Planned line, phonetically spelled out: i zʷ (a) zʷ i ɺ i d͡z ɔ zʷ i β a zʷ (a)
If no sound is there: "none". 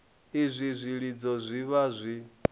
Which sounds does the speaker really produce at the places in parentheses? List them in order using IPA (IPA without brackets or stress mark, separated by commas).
i, i